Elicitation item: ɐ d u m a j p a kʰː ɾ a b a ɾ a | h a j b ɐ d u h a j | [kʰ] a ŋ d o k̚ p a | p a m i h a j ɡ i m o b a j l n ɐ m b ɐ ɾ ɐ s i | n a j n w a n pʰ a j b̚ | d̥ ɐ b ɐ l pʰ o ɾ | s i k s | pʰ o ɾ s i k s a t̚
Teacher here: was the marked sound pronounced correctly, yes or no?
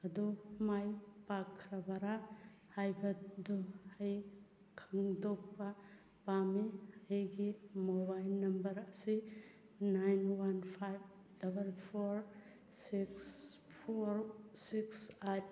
yes